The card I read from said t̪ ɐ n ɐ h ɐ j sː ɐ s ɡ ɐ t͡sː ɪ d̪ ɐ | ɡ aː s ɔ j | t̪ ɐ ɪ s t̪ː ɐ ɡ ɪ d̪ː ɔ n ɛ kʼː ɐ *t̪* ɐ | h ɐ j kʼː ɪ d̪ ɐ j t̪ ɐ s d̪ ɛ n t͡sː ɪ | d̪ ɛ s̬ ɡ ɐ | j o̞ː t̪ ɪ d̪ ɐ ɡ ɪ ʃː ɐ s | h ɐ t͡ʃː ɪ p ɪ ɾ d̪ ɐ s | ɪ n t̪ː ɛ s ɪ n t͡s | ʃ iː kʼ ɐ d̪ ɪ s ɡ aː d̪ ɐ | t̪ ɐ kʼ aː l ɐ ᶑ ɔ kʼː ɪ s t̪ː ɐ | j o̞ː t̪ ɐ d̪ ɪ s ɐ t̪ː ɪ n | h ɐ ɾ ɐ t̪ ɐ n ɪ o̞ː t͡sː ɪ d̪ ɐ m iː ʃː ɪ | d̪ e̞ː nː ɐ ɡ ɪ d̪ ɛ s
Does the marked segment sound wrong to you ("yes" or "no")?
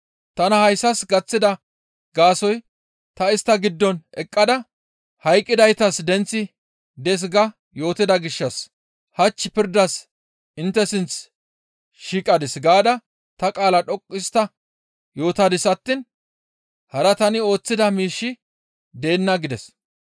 yes